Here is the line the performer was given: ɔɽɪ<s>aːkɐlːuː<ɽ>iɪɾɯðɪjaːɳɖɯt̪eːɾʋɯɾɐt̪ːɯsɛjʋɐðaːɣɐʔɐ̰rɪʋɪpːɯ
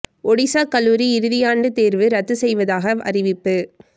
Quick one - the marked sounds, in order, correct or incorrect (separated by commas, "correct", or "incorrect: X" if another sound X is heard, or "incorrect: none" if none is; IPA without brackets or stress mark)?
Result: correct, incorrect: ɾ